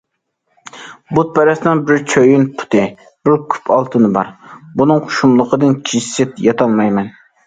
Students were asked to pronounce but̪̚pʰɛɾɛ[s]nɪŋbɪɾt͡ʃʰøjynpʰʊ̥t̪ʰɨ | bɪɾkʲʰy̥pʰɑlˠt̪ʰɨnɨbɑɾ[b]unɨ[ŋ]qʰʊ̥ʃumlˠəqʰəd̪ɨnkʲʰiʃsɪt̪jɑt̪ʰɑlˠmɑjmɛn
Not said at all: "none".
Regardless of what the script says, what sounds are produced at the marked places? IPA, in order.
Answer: s, b, ŋ

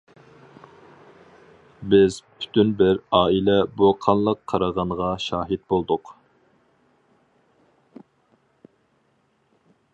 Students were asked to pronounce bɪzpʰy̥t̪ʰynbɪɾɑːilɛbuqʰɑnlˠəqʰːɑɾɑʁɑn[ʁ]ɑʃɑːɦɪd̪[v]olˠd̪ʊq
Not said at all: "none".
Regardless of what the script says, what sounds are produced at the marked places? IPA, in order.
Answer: ʁ, b

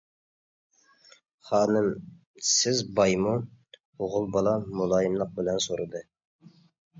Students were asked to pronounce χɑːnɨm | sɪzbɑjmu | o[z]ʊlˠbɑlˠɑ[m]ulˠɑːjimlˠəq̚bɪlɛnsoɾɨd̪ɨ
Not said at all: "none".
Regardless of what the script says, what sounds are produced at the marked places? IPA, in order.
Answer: ʁ, m

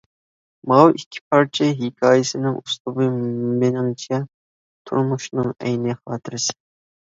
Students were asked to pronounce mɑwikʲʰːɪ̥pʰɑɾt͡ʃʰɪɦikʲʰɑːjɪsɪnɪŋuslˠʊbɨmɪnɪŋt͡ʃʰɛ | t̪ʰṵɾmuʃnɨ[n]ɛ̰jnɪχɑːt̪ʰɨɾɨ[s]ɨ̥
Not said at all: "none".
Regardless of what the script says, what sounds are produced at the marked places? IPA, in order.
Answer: ŋ, s

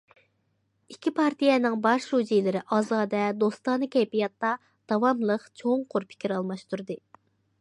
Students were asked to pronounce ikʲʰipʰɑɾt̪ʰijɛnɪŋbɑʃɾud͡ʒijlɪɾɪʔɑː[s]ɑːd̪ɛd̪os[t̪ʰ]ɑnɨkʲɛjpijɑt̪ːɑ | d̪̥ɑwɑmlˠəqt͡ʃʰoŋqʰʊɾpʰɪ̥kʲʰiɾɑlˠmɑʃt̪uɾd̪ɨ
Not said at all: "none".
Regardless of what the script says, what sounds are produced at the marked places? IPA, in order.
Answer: z, t̪

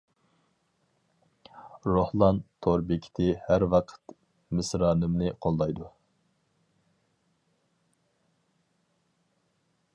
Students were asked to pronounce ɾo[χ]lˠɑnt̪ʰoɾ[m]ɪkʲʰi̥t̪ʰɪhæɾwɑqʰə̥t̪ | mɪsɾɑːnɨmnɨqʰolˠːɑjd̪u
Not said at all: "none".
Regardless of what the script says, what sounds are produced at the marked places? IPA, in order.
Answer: h, b

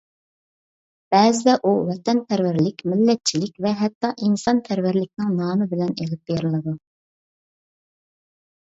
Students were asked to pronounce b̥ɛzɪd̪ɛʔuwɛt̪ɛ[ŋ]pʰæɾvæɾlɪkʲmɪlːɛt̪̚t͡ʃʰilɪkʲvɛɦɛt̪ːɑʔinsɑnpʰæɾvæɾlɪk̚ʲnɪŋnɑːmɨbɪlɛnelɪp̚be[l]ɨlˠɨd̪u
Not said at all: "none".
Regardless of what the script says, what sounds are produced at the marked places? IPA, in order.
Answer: n, ɾ

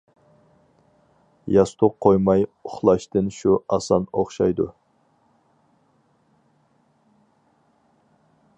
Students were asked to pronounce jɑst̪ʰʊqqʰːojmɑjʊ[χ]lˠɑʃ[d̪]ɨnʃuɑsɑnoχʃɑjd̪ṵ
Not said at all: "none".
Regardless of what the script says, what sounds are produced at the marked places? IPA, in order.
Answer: χ, t̪

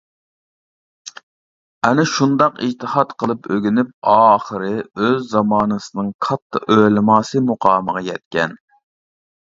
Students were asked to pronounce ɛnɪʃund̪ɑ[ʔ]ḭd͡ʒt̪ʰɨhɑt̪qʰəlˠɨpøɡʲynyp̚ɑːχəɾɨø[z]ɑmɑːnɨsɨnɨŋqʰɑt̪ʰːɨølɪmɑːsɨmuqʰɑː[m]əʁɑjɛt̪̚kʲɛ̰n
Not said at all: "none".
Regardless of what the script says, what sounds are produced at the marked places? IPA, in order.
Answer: q, zː, m

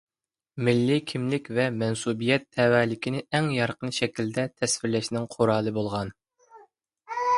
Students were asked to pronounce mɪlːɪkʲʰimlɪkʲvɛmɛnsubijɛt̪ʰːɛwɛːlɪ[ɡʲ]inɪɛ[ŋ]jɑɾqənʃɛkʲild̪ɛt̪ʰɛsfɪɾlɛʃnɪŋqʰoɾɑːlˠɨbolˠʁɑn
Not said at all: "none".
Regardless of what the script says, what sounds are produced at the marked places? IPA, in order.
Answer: kʲ, ŋ

